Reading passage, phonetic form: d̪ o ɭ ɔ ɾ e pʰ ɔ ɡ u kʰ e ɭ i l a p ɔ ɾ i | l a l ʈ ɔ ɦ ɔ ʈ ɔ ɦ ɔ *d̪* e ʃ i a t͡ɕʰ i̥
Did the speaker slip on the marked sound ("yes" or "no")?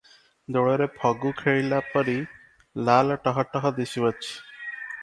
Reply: no